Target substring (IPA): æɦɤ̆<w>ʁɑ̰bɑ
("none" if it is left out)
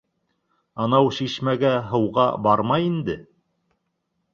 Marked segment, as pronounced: w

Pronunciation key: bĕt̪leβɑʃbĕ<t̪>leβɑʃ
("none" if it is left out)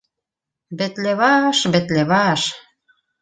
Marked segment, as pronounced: t̪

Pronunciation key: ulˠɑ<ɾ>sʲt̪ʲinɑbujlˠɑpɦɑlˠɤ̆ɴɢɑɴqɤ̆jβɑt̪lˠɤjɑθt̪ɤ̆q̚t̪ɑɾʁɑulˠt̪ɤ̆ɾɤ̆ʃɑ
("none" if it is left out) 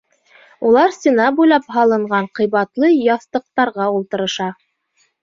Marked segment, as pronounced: ɾ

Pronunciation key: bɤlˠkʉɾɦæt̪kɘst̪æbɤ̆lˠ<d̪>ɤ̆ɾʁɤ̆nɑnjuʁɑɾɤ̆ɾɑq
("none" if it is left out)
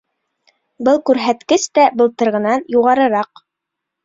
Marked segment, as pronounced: t̪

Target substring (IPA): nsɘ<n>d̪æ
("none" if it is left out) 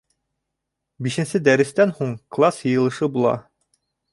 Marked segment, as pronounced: none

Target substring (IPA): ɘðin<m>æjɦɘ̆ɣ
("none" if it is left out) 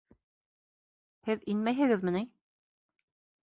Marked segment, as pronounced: m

